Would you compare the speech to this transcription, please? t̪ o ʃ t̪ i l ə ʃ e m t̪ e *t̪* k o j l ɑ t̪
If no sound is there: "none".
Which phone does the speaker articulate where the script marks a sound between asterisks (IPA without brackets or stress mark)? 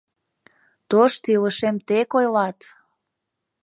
none